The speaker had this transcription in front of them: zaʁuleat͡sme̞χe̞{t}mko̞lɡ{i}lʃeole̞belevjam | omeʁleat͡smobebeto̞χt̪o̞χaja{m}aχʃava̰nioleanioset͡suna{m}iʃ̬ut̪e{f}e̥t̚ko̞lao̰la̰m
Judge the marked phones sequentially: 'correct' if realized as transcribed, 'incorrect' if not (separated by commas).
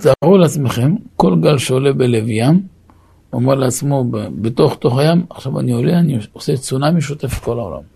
incorrect, incorrect, correct, correct, correct